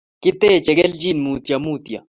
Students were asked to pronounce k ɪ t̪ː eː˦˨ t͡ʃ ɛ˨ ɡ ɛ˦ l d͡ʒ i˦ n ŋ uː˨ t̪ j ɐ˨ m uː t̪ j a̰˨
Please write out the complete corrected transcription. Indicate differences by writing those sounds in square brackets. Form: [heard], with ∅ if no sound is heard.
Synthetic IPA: k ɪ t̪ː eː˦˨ t͡ʃ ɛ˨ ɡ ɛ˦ l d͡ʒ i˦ n [m] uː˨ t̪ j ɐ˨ m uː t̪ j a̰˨